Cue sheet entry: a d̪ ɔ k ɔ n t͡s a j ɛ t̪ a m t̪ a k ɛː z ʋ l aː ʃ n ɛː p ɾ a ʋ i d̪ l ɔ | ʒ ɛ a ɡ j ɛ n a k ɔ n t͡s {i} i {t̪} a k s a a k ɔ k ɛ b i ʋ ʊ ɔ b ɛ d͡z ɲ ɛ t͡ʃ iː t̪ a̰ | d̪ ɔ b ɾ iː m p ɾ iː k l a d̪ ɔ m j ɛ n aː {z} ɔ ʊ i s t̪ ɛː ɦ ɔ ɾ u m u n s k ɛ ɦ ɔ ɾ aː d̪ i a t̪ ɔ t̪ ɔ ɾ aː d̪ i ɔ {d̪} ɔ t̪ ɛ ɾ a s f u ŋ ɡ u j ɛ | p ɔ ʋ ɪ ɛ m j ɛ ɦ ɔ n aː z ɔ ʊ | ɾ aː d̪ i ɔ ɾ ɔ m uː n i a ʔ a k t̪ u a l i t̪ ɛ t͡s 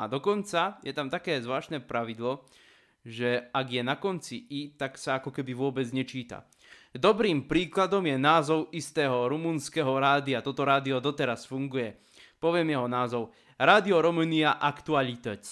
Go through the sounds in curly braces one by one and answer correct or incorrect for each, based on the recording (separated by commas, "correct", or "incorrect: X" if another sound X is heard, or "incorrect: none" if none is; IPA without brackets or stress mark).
correct, correct, correct, correct